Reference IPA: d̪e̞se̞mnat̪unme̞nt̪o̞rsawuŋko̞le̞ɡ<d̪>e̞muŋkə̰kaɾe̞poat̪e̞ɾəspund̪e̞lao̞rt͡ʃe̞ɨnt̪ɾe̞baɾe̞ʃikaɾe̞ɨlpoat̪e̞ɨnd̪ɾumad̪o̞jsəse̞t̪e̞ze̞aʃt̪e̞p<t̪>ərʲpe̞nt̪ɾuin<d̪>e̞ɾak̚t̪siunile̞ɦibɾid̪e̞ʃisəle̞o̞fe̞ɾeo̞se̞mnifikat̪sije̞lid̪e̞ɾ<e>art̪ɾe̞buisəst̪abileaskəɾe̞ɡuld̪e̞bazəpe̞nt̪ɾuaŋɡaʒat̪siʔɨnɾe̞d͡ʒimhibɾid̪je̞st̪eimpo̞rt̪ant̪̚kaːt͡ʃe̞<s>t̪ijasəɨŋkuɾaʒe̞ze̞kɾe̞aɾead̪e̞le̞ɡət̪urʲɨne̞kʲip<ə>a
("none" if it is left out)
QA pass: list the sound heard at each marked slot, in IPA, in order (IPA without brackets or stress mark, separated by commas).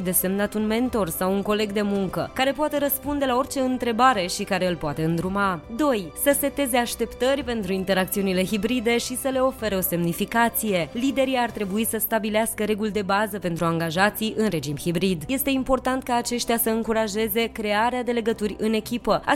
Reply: d̪, t̪, t̪, i, ʃ, ə